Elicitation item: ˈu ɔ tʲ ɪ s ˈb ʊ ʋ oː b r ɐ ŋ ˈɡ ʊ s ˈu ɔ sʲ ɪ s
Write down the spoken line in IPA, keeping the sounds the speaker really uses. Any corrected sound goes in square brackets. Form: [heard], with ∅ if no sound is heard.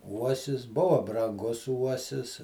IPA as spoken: ˈu ɔ [sʲ] ɪ s ˈb ʊ ʋ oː b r ɐ ŋ ˈɡ ʊ s ˈu ɔ sʲ ɪ s